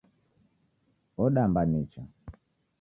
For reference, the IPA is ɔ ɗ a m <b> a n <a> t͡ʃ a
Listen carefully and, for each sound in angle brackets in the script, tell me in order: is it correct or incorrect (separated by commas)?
correct, incorrect